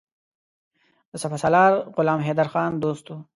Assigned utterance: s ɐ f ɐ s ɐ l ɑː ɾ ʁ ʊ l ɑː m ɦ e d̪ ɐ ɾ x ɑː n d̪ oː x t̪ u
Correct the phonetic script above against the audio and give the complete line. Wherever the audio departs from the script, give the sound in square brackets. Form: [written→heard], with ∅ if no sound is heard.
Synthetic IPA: s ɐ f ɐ s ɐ l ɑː ɾ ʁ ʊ l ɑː m ɦ e d̪ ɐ ɾ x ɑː n d̪ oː [x→s] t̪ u

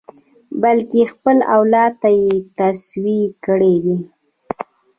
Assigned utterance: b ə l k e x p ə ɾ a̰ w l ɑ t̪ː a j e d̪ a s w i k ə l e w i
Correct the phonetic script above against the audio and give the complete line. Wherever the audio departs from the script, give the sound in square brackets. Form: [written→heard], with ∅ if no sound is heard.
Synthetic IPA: b [ə→a] l k e x p ə [ɾ→l] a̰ w l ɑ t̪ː a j e [d̪→t̪] a s w i k ə [l→ɽ] e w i

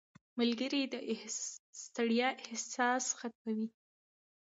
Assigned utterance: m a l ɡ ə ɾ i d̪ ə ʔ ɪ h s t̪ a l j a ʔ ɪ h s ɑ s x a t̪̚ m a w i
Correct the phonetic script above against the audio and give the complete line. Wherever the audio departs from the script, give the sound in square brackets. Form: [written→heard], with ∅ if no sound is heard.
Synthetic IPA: m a l ɡ ə ɾ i d̪ ə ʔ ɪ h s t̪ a [l→ɽ] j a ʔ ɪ h s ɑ s x a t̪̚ m a w i

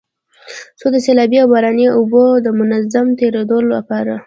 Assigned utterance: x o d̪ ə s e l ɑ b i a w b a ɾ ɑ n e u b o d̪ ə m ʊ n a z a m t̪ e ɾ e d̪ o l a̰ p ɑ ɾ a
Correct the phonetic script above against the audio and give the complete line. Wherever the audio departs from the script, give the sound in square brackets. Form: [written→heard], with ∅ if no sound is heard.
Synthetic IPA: [x→s] o d̪ ə s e l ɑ b i a w b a ɾ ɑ n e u b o d̪ ə m ʊ n a z a m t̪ e ɾ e d̪ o l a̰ p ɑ ɾ a

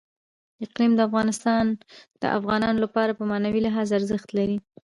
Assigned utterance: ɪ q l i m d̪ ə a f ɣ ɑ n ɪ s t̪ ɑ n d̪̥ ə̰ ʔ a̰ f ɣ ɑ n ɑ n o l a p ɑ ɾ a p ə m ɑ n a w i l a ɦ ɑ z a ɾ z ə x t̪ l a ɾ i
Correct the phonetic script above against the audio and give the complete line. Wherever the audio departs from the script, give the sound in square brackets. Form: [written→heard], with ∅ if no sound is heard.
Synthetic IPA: ɪ q l i m d̪ ə a f ɣ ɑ n ɪ s t̪ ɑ n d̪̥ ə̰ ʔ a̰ f ɣ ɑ n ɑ n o l a p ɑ ɾ a p ə m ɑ n a w i l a ɦ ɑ z a ɾ z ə x t̪ l a ɾ i

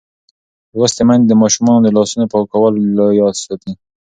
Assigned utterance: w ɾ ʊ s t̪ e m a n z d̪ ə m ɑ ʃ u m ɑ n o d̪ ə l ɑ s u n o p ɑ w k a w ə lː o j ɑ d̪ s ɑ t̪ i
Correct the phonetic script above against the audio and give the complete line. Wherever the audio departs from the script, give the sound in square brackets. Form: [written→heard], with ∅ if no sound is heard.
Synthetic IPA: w ɾ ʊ s t̪ e m a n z d̪ ə m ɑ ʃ u m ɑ n o d̪ ə l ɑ s u n o p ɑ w k a w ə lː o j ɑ d̪ s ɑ t̪ i

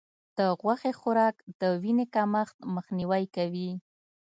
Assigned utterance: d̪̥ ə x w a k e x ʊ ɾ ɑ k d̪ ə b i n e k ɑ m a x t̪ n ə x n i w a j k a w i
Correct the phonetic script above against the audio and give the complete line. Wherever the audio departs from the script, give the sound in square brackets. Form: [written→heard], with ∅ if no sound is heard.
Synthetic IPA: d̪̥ ə [x→ɣ] w a [k→x] e x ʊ ɾ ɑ k d̪ ə [b→w] i n e k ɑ m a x t̪ [n→m] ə x n i w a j k a w i

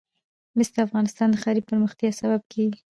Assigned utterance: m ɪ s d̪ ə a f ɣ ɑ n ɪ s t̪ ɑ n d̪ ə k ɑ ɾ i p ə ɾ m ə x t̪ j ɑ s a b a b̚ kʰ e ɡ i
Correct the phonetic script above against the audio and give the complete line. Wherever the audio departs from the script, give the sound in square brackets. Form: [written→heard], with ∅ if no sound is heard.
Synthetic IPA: m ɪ s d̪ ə a f ɣ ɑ n ɪ s t̪ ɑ n d̪ ə [k→x] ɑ ɾ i p ə ɾ m ə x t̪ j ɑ s a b a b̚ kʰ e ɡ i

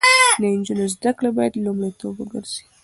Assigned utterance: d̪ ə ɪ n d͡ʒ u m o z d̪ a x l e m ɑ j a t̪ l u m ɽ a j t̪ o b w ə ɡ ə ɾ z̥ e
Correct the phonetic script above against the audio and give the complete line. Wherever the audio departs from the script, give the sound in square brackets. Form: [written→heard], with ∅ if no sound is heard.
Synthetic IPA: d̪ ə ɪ n d͡ʒ u [m→n] o z d̪ a [x→k] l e [m→b] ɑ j a [t̪→d̪] l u m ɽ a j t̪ o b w ə ɡ ə ɾ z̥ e

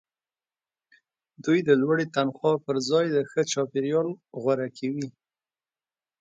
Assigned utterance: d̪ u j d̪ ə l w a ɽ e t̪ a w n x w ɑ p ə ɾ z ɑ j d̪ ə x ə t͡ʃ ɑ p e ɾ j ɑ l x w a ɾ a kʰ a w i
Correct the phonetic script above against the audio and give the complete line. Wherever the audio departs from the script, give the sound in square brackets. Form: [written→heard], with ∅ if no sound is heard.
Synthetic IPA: d̪ u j d̪ ə l w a ɽ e t̪ a [w→∅] n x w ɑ p ə ɾ z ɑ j d̪ ə x ə t͡ʃ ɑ p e ɾ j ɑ l [x→ɣ] w a ɾ a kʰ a w i

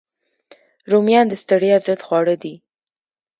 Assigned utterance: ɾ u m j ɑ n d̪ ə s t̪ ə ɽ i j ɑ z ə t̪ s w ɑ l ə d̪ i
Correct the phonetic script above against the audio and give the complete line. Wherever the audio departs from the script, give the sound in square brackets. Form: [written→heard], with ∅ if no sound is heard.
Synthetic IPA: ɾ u m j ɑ n d̪ ə s t̪ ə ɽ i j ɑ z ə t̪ [s→x] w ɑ [l→ɽ] ə d̪ i

